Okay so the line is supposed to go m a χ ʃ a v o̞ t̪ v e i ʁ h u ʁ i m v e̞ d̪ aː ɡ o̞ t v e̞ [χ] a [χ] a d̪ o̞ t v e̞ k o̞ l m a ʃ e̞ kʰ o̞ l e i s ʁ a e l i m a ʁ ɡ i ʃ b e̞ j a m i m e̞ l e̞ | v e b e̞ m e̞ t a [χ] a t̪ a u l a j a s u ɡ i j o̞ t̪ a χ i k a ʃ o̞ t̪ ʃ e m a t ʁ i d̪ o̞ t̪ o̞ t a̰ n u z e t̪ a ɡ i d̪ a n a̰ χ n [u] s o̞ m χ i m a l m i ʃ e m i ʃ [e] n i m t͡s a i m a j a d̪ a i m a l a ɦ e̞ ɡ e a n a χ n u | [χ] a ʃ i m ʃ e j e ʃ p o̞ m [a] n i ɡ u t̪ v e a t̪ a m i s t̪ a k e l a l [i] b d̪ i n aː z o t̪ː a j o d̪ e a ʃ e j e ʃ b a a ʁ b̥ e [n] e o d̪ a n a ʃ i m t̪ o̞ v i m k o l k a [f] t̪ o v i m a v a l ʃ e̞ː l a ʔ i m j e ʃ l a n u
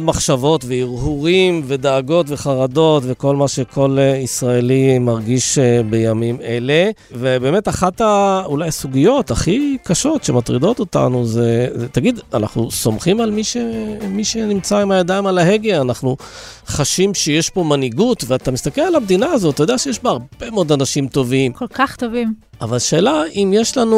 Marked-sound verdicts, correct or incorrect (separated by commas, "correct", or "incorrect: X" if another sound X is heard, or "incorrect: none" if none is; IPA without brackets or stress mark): correct, incorrect: ʁ, correct, correct, correct, correct, correct, incorrect: a, incorrect: m, incorrect: χ